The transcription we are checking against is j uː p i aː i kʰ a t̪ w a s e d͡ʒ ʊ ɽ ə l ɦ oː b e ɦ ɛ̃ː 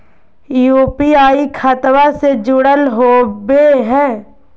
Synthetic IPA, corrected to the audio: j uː p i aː i kʰ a t̪ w a s e d͡ʒ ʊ ɽ ə l ɦ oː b e ɦ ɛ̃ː